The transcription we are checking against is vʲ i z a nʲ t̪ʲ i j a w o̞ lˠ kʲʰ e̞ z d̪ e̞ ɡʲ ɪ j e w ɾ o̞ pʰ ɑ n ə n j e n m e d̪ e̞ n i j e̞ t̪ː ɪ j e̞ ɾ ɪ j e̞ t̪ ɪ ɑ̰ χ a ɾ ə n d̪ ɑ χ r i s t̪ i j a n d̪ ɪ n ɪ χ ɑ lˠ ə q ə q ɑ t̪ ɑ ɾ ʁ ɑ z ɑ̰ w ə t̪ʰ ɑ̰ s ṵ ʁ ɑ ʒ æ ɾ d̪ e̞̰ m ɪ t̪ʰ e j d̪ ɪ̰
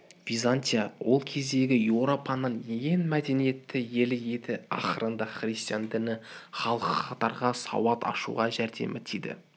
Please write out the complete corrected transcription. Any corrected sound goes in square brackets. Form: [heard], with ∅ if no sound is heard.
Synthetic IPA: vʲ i z a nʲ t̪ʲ i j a w o̞ lˠ kʲʰ e̞ z d̪ e̞ ɡʲ ɪ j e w ɾ o̞ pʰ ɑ n ə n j e n m [æ] d̪ e̞ n i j e̞ t̪ː ɪ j e̞ [l] ɪ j e̞ t̪ ɪ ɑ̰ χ [ə] ɾ ə n d̪ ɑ χ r i s t̪ i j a n d̪ ɪ n ɪ χ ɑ lˠ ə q ə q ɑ t̪ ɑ ɾ ʁ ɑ [s] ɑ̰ w [ɑ] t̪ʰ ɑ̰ [ʃ] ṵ ʁ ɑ ʒ æ ɾ d̪ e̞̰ m ɪ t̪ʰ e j d̪ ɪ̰